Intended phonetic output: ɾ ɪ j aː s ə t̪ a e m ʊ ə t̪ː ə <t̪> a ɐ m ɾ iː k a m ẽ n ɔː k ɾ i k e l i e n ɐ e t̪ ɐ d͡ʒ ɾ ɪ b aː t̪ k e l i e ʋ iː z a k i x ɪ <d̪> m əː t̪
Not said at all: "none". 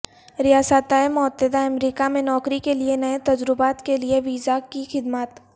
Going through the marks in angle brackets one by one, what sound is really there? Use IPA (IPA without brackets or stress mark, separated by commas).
d̪, d̪